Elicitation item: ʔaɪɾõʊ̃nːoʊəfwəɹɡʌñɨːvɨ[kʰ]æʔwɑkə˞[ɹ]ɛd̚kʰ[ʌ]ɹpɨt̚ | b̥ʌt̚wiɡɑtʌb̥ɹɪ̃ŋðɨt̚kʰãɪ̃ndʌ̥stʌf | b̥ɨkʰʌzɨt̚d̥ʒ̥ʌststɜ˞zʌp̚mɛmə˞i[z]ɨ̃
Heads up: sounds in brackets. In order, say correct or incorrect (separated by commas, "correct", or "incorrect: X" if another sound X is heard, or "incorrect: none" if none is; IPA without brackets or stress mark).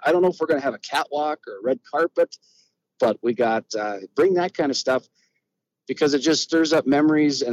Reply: correct, correct, incorrect: ɑ, correct